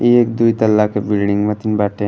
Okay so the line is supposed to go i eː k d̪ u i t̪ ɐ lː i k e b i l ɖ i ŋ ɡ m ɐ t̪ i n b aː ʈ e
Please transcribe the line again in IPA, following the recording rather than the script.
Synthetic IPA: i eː k d̪ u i t̪ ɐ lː a k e b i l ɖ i ŋ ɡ m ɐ t̪ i n b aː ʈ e